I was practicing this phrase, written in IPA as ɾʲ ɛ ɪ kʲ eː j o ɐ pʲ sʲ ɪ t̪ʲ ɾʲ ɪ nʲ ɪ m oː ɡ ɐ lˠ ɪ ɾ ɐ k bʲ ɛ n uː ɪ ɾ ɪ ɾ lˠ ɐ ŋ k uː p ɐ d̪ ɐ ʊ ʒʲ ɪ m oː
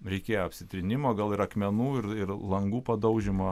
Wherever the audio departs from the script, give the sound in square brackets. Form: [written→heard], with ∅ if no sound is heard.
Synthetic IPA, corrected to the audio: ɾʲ ɛ ɪ kʲ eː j o ɐ pʲ sʲ ɪ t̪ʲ ɾʲ ɪ nʲ ɪ m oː ɡ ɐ lˠ ɪ ɾ ɐ k [bʲ→mʲ] ɛ n uː ɪ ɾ ɪ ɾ lˠ ɐ ŋ [k→ɡ] uː p ɐ d̪ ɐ ʊ ʒʲ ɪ m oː